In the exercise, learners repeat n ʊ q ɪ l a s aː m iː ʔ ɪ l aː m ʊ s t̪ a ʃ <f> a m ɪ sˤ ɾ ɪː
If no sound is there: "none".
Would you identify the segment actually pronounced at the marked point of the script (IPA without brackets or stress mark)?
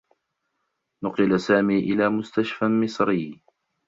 f